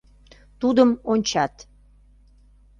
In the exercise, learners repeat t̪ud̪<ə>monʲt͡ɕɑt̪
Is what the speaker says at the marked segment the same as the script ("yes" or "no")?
yes